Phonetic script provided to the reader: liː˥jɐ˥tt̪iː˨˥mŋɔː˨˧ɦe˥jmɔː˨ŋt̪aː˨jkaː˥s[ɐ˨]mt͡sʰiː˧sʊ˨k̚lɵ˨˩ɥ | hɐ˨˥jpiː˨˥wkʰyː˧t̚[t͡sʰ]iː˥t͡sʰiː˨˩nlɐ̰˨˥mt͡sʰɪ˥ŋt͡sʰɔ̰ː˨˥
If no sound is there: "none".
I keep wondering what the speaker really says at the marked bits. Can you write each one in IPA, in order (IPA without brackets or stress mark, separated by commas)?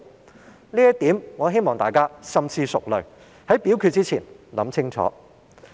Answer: ɐ˨, t͡s